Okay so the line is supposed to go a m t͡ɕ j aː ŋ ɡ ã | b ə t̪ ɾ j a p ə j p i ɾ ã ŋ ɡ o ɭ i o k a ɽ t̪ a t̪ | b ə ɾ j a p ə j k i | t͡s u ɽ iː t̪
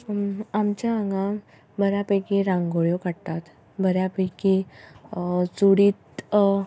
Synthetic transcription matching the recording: a m t͡ɕ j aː ŋ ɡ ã | b ə ɾ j a p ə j k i ɾ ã ŋ ɡ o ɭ j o k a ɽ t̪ a t̪ | b ə ɾ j a p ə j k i | t͡s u ɽ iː t̪